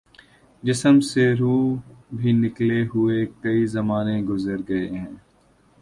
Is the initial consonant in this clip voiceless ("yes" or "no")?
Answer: no